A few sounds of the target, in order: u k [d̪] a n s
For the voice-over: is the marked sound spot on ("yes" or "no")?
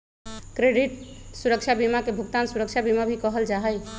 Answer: no